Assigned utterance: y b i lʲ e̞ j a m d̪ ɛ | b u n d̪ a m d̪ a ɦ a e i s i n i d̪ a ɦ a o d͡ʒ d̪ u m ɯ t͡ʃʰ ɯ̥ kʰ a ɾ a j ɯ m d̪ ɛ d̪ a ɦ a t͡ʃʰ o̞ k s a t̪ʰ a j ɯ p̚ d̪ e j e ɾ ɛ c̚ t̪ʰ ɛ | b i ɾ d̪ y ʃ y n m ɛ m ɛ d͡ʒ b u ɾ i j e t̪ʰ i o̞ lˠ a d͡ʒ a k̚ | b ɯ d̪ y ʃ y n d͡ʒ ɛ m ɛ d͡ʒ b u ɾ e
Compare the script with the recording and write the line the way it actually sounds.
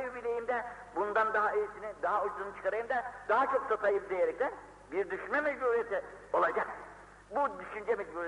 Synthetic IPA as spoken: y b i lʲ e̞ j i m d̪ ɛ | b u n d̪ a n d̪ a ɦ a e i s i n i d̪ a ɦ a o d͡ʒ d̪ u n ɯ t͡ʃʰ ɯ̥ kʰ a ɾ a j ɯ m d̪ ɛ d̪ a ɦ a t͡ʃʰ o̞ k s a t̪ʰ a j ɯ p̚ d̪ e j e ɾ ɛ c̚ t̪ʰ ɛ | b i ɾ d̪ y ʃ y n m ɛ m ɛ d͡ʒ b u ɾ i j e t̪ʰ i o̞ lˠ a d͡ʒ a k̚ | b u d̪ y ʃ y n d͡ʒ ɛ m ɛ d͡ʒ b u ɾ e